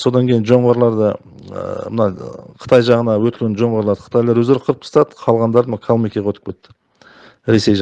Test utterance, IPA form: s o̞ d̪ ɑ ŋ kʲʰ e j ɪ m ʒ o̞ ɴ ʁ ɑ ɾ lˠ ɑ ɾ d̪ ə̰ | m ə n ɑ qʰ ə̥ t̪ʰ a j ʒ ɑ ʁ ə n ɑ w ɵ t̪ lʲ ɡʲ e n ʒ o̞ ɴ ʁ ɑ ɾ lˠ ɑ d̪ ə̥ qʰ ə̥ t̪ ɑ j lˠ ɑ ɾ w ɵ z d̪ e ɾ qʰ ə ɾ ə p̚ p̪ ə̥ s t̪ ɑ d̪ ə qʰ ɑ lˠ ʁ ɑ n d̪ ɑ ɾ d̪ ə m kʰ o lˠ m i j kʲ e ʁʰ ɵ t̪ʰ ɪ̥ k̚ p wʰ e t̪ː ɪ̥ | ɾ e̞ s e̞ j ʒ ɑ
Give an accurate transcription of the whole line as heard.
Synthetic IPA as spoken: s o̞ d̪ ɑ ŋ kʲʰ e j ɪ n ʒ o̞ ɴ ʁ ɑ ɾ lˠ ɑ ɾ d̪ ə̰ | m ə n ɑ qʰ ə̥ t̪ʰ ɑ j ʒ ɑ ʁ ə n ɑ w ɵ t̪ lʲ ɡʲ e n ʒ o̞ ɴ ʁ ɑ ɾ lˠ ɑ d̪ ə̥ qʰ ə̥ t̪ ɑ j lˠ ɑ ɾ w ɵ z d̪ e ɾ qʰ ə ɾ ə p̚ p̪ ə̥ s t̪ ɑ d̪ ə qʰ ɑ lˠ ʁ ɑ n d̪ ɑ ɾ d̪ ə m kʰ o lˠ m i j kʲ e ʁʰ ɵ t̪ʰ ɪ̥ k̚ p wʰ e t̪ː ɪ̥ | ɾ e̞ s e̞ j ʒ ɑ